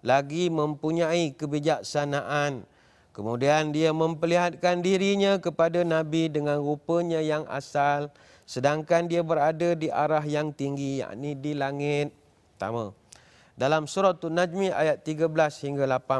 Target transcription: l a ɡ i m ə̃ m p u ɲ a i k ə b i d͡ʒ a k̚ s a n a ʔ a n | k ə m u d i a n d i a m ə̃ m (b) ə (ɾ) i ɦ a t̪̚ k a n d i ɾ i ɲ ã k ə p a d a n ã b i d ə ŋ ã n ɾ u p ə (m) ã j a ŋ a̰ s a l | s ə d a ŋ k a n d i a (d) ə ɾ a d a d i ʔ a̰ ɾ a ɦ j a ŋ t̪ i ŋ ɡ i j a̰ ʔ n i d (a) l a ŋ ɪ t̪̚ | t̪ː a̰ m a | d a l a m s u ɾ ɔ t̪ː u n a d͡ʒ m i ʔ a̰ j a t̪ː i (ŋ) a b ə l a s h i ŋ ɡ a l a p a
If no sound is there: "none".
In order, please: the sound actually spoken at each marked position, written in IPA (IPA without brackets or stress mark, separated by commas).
p, l, ɲ, b, i, ɡ